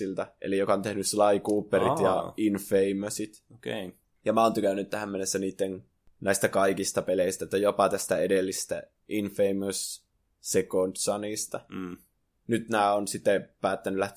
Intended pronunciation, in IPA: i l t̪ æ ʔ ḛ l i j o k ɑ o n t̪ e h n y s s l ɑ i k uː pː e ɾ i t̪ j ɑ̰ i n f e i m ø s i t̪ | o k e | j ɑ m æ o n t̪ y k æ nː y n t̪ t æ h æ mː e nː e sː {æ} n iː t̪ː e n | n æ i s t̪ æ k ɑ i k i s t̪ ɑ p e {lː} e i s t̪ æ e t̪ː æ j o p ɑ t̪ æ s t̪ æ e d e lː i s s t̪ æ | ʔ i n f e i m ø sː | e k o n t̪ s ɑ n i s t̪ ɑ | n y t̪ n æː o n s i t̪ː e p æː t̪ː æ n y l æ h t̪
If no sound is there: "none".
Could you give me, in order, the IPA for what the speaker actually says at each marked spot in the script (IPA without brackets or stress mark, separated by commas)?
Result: æ, l